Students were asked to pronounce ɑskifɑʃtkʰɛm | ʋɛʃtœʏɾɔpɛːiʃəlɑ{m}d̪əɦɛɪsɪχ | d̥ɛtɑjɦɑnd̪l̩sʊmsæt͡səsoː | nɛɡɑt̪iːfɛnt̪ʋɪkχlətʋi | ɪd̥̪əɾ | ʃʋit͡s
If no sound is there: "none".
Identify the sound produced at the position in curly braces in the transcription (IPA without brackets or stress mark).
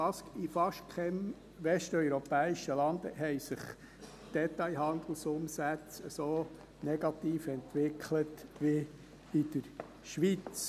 n